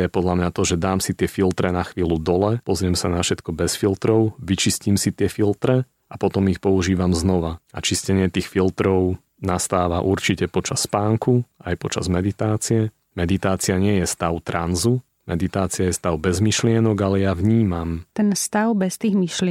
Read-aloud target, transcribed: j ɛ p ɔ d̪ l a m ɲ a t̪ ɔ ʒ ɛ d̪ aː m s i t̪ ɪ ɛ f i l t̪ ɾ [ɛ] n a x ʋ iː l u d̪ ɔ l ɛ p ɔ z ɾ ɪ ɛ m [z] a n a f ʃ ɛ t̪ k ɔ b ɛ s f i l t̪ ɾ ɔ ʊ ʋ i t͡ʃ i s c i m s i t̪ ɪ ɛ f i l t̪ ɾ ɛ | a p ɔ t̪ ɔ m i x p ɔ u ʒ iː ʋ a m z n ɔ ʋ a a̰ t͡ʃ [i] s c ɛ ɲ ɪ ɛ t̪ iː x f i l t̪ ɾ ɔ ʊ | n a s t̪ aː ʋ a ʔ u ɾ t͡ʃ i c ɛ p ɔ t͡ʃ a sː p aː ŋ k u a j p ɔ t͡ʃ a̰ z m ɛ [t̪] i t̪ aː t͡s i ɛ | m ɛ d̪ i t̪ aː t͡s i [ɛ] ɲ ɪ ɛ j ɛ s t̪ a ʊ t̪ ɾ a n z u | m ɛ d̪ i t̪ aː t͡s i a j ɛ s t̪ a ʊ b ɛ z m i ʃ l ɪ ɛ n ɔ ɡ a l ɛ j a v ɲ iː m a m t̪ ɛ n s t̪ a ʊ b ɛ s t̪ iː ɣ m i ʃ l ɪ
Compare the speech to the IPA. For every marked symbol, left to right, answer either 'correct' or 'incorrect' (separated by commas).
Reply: correct, incorrect, correct, incorrect, incorrect